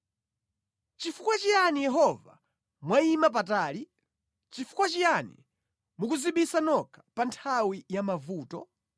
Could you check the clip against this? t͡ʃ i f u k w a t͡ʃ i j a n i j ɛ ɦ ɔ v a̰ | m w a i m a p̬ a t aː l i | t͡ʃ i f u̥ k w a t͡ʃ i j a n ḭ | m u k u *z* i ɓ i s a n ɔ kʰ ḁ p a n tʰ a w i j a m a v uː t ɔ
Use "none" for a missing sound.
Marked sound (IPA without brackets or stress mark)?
z